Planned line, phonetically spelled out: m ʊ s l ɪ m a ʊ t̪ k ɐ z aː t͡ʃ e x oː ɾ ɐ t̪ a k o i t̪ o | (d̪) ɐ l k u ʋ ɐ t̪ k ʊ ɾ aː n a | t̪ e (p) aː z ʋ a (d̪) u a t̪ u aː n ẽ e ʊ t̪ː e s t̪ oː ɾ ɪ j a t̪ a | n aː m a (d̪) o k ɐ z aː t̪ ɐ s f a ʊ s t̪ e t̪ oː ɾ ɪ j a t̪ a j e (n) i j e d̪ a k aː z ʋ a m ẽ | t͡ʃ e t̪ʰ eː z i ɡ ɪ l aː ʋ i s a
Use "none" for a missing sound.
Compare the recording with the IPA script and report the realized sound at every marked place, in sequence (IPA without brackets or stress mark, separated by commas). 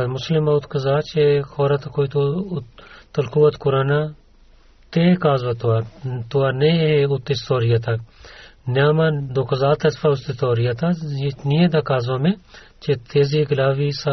t̪, k, t̪, d̪, n